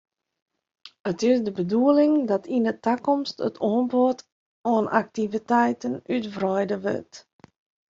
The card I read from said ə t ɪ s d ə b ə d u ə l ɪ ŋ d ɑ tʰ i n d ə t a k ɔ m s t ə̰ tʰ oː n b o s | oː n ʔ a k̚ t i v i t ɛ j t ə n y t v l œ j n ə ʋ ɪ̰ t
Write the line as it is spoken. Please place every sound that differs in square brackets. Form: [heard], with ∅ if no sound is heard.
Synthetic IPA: ə t ɪ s d ə b ə d u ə l ɪ ŋ d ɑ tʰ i n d ə t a k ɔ m s t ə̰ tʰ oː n b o [t] | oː n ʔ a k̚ t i v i t ɛ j t ə n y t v [r] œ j [d] ə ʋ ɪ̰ t